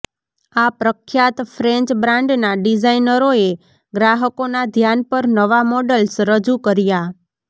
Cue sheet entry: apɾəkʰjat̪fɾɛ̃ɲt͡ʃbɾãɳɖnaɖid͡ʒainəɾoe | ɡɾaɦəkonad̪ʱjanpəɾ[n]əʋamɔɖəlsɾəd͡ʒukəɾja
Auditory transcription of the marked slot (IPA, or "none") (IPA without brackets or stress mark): n